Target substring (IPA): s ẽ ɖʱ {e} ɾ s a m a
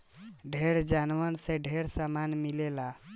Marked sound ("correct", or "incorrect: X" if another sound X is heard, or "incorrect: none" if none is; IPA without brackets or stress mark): correct